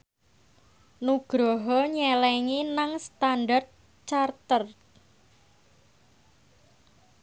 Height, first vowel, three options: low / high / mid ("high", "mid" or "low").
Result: high